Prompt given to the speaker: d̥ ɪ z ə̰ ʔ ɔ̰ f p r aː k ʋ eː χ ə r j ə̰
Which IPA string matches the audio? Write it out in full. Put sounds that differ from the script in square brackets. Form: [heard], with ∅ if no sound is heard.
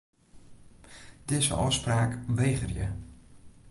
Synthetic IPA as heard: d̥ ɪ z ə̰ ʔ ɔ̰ [s] p r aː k ʋ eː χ ə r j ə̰